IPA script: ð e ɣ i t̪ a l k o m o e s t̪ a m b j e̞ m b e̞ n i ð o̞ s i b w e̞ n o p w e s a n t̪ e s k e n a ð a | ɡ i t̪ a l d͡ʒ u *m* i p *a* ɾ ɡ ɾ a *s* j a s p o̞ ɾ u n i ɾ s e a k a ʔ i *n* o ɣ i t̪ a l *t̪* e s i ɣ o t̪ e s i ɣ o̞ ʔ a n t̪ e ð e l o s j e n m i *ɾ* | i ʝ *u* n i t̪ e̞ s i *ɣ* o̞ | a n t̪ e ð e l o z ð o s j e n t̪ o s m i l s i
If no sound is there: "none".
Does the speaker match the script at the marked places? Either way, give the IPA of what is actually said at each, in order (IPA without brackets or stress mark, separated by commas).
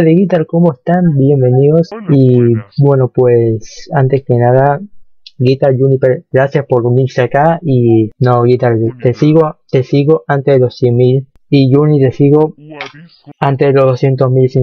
n, e, s, n, t̪, l, u, ɣ